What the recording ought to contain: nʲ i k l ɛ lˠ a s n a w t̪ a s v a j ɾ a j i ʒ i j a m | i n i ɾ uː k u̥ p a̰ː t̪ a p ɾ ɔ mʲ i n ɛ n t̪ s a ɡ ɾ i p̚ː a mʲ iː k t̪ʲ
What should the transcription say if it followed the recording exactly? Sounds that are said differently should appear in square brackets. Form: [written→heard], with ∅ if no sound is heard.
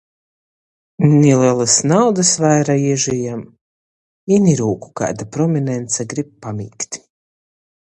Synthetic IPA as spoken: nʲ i [k→∅] l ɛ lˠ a s n a w [t̪→d̪] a s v a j ɾ a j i ʒ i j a m | i n i ɾ uː k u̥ [p→k] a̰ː [t̪→d̪] a p ɾ ɔ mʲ i n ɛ n t̪ s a ɡ ɾ i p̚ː a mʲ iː k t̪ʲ